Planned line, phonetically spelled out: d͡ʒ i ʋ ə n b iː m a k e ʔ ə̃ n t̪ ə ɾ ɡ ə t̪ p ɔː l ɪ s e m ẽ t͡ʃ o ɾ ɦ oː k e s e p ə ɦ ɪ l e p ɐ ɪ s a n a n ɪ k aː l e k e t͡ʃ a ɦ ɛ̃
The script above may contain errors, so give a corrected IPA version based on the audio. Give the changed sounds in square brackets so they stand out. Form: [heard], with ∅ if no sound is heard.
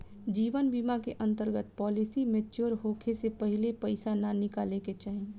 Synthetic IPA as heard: d͡ʒ [iː] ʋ ə n b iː m a k e ʔ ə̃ n t̪ ə ɾ ɡ ə t̪ p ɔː l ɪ s [i] m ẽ t͡ʃ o ɾ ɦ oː [kʰ] e s e p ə ɦ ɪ l e p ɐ ɪ s a n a n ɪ k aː l e k e t͡ʃ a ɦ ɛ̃